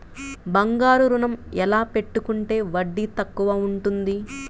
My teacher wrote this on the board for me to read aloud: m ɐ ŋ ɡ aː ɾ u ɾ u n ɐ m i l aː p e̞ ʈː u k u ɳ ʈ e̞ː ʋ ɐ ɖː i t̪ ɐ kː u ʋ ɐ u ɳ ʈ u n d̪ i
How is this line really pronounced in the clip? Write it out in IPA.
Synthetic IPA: b ɐ ŋ ɡ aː ɾ u ɾ u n ɐ m ɛ l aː p e̞ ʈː u k u ɳ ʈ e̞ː ʋ ɐ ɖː i t̪ ɐ kː u ʋ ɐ u ɳ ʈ u n d̪ i